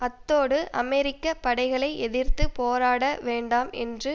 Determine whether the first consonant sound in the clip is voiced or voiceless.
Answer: voiceless